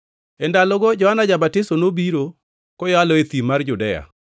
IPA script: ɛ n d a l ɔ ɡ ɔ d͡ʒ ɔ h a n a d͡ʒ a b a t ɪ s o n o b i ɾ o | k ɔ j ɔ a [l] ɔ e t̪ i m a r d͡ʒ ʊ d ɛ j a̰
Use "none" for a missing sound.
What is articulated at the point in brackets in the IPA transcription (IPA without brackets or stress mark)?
l